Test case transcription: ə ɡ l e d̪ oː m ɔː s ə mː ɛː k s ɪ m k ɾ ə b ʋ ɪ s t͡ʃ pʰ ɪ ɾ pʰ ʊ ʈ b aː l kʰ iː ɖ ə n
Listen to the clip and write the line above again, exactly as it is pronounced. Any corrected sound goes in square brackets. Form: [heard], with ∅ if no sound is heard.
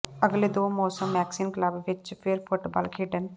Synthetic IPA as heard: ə ɡ l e d̪ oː m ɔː s ə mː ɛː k s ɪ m k [l] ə b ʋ ɪ [∅] t͡ʃ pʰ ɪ ɾ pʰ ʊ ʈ b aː l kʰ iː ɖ ə n